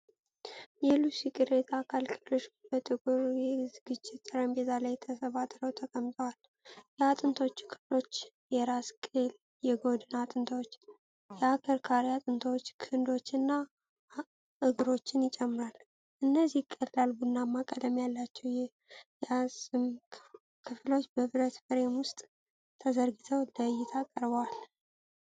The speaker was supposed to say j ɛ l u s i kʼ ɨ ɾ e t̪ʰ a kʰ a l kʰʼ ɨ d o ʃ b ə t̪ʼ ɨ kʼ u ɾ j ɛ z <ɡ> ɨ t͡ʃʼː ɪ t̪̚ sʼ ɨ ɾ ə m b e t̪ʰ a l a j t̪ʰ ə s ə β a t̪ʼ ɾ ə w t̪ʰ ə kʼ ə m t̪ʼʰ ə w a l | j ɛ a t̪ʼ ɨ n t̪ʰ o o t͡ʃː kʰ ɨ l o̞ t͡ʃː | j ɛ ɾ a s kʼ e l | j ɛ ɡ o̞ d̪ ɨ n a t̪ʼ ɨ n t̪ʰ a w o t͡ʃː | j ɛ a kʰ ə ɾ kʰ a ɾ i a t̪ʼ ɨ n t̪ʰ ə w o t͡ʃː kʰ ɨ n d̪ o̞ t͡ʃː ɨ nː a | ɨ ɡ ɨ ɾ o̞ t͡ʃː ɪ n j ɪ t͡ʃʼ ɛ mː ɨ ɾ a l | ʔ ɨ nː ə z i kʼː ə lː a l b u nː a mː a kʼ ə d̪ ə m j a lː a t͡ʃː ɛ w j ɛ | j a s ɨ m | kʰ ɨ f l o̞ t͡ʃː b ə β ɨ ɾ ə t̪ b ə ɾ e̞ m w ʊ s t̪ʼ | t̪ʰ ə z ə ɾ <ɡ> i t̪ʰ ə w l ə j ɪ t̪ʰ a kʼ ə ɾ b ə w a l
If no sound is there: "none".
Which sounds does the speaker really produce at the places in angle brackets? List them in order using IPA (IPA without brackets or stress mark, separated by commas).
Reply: ɡ, ɡ